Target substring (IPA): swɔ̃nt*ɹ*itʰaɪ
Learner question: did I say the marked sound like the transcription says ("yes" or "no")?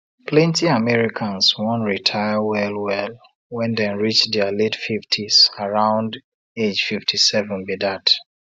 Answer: yes